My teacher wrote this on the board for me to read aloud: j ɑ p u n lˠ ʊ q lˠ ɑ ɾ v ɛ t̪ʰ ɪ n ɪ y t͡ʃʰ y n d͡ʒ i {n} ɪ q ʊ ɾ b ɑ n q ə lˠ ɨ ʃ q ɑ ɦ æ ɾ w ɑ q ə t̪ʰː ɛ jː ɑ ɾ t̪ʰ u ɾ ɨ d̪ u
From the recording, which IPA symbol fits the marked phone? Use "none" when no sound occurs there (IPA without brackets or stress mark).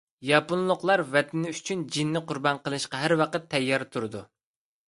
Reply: nː